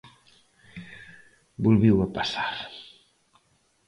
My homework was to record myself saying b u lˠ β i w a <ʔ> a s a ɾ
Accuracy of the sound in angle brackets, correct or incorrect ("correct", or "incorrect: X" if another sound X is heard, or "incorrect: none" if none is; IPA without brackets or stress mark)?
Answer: incorrect: p